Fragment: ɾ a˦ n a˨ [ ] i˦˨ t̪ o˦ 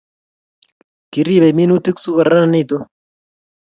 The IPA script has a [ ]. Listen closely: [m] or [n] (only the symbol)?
n